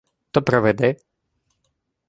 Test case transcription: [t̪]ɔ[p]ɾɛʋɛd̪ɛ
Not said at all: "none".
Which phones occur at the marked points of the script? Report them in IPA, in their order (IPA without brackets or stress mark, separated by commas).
t̪, p